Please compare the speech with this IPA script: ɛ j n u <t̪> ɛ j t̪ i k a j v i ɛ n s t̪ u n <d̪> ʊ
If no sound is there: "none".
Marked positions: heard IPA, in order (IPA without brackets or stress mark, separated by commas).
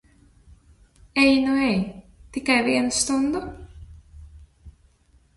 none, d̪